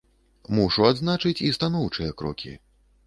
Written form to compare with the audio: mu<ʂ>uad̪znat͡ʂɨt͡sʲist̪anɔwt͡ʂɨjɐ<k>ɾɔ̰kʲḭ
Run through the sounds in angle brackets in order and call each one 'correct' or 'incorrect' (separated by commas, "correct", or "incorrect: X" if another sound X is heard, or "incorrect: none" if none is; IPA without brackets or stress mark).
correct, correct